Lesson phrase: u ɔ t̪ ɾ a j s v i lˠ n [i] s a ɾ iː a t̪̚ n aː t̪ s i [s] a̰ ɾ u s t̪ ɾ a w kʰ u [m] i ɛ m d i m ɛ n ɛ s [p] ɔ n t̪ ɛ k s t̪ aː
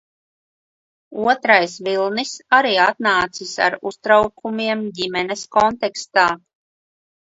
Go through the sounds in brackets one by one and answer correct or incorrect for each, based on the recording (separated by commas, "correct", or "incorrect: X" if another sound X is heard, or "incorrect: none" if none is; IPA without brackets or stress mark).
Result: correct, correct, correct, incorrect: k